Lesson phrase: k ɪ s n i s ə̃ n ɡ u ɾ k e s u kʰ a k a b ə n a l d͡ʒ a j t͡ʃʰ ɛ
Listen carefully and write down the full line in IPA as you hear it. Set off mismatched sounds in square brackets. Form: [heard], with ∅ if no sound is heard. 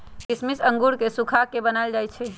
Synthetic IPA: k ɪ s [m] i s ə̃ [ŋ] ɡ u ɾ k e s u kʰ a k [e] b ə n a l d͡ʒ a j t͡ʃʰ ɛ